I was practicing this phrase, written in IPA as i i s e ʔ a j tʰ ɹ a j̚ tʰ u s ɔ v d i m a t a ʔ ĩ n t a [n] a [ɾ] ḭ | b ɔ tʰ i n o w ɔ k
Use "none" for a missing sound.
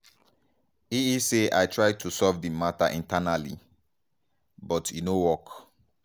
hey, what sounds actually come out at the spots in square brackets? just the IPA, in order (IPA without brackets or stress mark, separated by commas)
n, l